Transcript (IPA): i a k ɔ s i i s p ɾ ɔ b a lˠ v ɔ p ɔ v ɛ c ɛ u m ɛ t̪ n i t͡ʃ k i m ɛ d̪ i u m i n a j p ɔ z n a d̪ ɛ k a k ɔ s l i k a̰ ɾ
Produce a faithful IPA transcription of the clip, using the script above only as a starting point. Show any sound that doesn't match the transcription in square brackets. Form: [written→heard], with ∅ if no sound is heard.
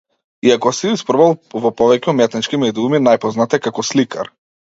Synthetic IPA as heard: i a k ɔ s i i s p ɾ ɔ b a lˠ v ɔ p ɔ v ɛ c ɛ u m ɛ t̪ n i t͡ʃ k i m ɛ d̪ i u m i n a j p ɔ z n a [d̪→t̪] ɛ k a k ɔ s l i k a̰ ɾ